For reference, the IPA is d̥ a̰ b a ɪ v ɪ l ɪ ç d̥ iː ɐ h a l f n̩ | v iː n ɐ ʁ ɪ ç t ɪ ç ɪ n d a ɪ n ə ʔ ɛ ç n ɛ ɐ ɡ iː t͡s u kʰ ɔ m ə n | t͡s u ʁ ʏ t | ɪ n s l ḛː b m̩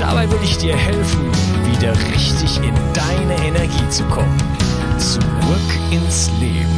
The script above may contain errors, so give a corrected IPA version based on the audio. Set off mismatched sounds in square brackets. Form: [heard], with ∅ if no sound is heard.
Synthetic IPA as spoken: d̥ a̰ b a ɪ v ɪ l ɪ ç d̥ iː ɐ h [ɛ] l f n̩ | v iː [d] ɐ ʁ ɪ ç t ɪ ç ɪ n d a ɪ n ə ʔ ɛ [∅] n ɛ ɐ ɡ iː t͡s u kʰ ɔ m ə n | t͡s u ʁ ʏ [k] | ɪ n s l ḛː b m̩